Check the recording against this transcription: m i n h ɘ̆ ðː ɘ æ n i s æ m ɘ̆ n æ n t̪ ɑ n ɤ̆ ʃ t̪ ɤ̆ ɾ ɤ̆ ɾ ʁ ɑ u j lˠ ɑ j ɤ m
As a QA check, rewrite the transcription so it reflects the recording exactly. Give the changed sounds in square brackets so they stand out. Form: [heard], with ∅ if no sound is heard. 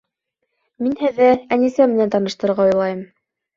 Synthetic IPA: m i n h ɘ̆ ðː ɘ æ n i s æ m ɘ̆ n æ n t̪ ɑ n ɤ̆ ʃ t̪ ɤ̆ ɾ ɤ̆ ɾ ʁ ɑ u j lˠ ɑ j ɤ m